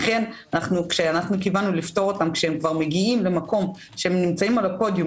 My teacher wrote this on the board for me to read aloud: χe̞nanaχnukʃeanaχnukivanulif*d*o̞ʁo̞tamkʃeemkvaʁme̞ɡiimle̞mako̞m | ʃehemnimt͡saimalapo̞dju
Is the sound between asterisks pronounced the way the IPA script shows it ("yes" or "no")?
no